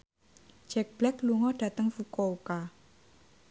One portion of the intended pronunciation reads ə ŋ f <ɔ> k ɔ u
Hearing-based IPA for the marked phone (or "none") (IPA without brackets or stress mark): u